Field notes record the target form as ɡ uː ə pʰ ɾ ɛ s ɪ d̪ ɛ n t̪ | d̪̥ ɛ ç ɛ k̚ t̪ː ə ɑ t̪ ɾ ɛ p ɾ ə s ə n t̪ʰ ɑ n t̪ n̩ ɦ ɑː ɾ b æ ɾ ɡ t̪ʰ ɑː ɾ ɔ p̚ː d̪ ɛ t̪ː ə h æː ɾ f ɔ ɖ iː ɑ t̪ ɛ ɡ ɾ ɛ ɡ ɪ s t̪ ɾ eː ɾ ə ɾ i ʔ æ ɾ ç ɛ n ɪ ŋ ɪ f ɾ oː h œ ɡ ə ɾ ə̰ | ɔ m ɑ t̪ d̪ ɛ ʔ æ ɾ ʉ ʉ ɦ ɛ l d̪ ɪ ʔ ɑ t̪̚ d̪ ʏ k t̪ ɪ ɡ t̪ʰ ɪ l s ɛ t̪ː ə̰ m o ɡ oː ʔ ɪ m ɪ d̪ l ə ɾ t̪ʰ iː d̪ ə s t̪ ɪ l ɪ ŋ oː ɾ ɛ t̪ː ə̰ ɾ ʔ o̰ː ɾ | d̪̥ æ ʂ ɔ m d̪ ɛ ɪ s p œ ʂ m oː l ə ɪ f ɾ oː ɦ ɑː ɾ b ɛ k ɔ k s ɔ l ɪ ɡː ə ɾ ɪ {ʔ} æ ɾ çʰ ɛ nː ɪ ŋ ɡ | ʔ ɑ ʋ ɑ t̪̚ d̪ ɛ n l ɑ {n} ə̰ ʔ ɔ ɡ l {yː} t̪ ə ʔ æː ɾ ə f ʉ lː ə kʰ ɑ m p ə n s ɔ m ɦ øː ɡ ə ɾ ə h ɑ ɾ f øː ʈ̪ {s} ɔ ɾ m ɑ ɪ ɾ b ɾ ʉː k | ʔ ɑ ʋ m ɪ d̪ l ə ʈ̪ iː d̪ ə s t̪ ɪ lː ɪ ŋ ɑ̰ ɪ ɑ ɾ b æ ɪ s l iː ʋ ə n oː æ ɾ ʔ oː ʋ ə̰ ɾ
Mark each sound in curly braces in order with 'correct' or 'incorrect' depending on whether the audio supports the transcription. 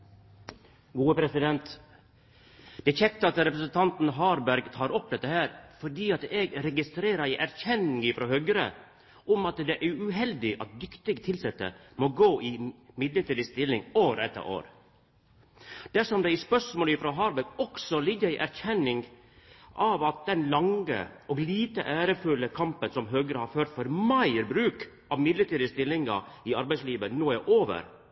correct, incorrect, incorrect, incorrect

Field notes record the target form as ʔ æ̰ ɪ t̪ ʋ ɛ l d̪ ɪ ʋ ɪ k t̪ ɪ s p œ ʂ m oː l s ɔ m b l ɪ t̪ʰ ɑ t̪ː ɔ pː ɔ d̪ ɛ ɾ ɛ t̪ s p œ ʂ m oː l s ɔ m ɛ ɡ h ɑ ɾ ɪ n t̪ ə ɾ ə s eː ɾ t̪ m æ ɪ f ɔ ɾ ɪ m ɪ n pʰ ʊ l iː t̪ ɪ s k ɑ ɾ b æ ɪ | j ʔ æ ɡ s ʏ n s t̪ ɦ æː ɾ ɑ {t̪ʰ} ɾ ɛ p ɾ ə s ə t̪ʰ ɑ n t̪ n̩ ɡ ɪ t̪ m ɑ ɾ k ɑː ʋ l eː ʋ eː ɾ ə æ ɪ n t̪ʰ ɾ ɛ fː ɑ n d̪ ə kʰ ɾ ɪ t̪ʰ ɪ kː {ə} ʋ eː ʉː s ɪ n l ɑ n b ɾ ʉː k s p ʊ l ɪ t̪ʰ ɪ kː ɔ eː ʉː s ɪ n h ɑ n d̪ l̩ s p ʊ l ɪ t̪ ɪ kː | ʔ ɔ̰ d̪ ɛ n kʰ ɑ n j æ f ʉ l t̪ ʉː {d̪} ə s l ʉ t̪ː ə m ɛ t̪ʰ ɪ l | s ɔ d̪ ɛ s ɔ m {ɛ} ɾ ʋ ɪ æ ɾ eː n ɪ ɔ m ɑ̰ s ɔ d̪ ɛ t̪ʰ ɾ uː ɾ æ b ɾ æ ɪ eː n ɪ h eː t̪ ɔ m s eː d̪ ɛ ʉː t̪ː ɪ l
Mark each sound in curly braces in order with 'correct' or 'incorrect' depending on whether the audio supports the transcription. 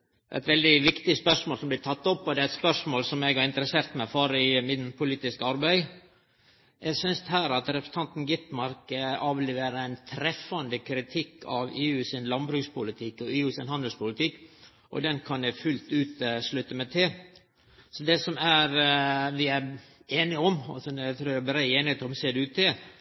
incorrect, incorrect, incorrect, incorrect

